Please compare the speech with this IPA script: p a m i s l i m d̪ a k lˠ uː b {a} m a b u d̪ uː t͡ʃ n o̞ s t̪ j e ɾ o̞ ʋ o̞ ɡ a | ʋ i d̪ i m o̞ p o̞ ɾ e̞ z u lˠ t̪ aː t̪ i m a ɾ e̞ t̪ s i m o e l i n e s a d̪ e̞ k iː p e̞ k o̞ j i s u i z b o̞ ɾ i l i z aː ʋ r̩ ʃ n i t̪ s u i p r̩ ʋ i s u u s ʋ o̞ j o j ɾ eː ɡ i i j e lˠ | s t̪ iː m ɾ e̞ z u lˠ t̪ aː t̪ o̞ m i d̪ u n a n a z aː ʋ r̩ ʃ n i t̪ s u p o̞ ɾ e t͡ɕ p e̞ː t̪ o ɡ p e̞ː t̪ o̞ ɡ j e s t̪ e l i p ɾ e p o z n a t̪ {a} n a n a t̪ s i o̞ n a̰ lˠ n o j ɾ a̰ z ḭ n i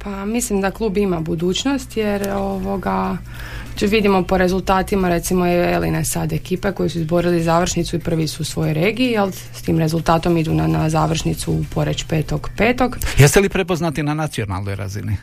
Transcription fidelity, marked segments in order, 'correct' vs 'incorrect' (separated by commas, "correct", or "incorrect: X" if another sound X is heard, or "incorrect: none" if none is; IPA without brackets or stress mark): incorrect: i, incorrect: i